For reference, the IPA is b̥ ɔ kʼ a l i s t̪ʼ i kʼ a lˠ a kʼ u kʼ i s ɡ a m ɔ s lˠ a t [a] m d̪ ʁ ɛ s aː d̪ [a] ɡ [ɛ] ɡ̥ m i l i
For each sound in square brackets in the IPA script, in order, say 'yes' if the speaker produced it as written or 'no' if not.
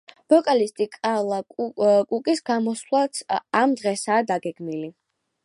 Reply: yes, yes, yes

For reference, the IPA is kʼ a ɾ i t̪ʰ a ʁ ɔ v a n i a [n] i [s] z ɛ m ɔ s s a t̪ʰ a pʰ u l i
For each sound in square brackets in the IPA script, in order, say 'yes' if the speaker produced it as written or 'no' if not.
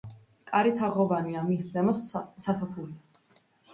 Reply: no, yes

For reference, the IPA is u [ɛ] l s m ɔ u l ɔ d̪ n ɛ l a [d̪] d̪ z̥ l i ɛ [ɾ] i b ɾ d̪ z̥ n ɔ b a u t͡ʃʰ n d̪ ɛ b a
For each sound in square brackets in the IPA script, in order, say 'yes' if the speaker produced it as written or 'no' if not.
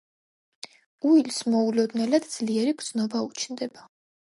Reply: no, yes, yes

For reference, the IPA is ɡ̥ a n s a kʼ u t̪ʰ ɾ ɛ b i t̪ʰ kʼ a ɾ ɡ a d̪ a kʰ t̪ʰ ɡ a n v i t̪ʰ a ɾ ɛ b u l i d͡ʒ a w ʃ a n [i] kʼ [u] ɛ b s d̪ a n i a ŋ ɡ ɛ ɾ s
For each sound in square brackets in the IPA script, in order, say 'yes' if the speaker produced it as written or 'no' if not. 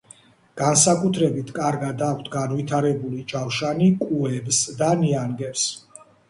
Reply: yes, yes

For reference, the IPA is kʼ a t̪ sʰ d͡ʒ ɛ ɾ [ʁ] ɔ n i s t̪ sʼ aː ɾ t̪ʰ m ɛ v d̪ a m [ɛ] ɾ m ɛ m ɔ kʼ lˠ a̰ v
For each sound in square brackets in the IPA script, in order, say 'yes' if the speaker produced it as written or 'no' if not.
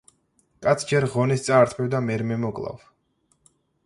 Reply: yes, yes

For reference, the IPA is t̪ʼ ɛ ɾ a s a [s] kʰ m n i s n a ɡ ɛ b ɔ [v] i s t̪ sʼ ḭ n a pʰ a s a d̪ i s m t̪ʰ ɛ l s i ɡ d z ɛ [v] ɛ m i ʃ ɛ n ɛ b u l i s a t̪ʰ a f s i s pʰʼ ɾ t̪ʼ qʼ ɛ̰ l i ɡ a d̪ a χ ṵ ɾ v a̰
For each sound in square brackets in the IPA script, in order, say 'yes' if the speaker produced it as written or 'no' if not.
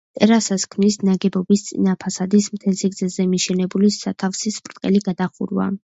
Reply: yes, no, no

